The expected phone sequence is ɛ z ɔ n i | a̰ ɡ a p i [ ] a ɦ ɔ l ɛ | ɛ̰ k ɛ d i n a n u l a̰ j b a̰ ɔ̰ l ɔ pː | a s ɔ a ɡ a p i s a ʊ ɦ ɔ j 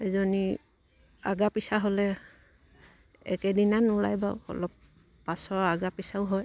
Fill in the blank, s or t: s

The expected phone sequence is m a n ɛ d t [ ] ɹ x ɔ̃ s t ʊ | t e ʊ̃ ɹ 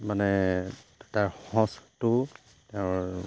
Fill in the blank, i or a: a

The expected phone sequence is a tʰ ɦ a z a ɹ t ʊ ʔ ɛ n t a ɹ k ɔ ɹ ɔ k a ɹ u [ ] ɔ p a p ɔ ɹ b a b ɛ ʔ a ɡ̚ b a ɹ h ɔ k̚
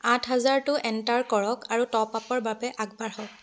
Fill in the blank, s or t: t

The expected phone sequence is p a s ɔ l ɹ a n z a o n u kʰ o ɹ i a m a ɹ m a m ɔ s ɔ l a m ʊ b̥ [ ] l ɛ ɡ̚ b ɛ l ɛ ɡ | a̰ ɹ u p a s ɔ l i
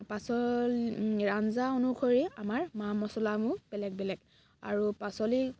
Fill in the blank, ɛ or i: ɛ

